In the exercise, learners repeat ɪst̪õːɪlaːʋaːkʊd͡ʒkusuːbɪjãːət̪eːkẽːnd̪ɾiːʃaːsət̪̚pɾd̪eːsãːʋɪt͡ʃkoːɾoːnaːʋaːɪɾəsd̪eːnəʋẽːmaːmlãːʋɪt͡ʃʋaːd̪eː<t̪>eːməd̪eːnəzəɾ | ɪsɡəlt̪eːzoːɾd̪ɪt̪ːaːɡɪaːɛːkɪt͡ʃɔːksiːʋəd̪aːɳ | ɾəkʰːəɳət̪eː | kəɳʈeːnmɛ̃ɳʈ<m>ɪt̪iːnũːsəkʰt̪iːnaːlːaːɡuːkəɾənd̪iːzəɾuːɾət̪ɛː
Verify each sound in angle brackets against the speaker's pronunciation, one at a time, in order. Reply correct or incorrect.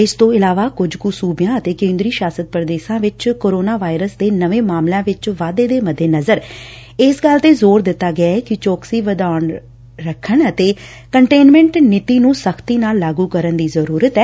incorrect, incorrect

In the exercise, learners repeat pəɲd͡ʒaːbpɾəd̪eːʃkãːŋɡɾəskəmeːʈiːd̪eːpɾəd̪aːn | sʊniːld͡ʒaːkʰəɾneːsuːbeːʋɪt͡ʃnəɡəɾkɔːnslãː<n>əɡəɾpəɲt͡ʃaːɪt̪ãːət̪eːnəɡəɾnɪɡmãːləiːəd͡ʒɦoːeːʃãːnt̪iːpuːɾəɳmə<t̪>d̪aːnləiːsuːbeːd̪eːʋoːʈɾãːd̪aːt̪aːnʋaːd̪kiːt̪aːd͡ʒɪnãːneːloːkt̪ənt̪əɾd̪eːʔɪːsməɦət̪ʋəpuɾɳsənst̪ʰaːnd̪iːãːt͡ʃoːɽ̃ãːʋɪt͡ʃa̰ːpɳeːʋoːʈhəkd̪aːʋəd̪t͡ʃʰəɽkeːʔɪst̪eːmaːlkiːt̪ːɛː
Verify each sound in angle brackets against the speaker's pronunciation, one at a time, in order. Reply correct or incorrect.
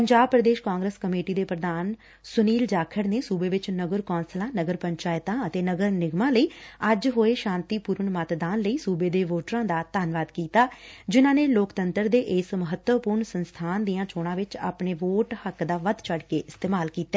correct, correct

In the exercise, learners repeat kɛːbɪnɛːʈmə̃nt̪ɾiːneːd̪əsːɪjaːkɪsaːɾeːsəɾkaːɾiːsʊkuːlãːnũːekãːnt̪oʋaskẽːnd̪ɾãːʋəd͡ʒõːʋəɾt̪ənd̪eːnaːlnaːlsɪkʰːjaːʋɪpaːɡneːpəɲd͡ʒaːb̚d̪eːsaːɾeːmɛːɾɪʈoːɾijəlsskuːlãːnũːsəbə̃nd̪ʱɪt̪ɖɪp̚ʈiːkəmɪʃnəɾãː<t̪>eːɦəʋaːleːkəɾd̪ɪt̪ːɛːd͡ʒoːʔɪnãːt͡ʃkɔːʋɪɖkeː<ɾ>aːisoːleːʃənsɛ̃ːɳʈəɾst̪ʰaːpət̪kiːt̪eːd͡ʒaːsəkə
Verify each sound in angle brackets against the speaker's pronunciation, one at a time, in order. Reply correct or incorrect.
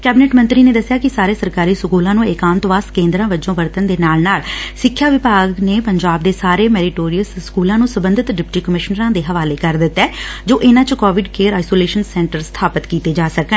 incorrect, correct

